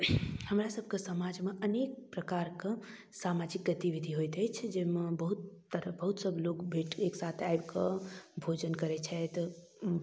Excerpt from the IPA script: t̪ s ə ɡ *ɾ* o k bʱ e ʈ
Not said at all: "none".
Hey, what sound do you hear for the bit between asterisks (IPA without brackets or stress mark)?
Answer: l